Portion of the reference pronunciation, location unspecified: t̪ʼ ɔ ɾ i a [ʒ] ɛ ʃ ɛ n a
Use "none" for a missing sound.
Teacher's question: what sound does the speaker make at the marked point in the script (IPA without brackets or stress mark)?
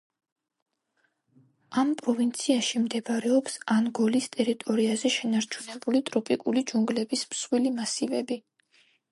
z